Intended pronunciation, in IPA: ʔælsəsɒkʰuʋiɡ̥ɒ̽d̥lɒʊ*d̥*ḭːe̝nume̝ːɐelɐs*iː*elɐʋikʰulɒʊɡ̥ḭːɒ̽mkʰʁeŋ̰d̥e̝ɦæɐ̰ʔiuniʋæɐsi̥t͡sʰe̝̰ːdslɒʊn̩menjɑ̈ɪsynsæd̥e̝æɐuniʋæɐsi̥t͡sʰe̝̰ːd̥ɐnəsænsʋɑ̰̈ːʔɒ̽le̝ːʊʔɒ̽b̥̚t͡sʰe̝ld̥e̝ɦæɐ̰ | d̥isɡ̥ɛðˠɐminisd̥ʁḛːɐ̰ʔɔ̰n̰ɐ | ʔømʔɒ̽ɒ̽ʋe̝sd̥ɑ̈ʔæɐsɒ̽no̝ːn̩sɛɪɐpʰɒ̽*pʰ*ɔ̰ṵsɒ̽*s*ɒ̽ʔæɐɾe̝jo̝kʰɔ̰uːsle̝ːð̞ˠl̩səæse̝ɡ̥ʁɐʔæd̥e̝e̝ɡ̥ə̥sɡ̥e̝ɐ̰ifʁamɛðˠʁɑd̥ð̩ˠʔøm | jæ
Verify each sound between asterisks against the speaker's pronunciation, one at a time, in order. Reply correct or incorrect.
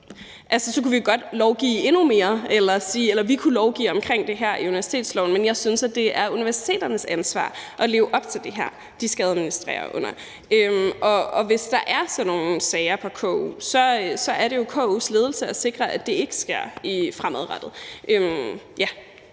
incorrect: ɡ̥, correct, incorrect: kʰ, correct

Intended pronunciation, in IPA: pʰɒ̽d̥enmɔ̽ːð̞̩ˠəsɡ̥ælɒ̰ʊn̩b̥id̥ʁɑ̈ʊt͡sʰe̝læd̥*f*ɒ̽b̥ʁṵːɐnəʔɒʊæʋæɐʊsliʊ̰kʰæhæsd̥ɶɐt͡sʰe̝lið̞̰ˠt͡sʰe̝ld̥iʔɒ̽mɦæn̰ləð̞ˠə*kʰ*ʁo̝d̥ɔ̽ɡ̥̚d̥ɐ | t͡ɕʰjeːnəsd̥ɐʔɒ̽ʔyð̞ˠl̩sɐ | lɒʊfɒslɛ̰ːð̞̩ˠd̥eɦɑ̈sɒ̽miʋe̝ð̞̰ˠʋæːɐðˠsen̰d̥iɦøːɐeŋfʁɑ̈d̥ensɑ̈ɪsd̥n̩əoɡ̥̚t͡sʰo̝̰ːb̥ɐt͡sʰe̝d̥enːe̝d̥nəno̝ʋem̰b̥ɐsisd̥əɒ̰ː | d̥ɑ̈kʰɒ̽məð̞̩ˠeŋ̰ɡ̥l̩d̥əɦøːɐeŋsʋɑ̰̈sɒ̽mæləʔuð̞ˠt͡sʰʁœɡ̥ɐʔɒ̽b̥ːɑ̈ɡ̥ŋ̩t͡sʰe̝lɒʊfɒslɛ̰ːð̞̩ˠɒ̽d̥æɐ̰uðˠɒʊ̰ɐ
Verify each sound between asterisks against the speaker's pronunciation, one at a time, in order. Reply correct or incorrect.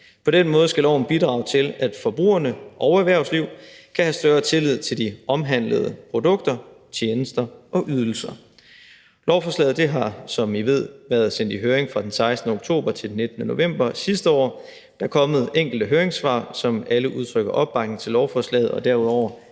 correct, incorrect: pʰ

